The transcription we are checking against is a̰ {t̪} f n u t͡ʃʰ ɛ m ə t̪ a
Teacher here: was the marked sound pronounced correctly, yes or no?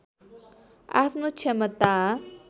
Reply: no